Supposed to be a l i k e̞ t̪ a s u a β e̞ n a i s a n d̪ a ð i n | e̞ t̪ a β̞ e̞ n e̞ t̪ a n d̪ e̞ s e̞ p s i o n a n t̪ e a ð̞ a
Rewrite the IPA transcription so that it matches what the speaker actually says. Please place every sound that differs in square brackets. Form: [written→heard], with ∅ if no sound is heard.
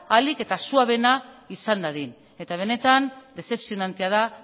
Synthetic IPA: a l i k e̞ t̪ a s u a β e̞ n a i s a n d̪ a ð i n | e̞ t̪ a β̞ e̞ n e̞ t̪ a n d̪ e̞ s e̞ p s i o n a n t̪ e a ð̞ a